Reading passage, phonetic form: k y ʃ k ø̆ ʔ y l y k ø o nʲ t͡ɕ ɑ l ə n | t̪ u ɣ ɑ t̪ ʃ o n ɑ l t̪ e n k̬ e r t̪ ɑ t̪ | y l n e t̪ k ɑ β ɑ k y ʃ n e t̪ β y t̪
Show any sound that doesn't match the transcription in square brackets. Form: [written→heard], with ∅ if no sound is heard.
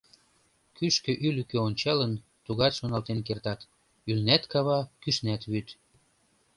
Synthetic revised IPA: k y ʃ k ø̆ ʔ y l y k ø o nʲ t͡ɕ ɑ l ə n | t̪ u ɣ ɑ t̪ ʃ o n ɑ l t̪ e n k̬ e r t̪ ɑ t̪ | y l n [e→æ] t̪ k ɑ β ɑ k y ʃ n [e→æ] t̪ β y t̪